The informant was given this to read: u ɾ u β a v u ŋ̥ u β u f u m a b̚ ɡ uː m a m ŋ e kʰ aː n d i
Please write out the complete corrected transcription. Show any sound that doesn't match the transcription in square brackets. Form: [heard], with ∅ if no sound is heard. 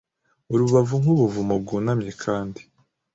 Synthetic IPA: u ɾ u β a v u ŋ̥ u β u [v] u m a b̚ ɡ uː [n] a m [ɲ] e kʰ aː n d i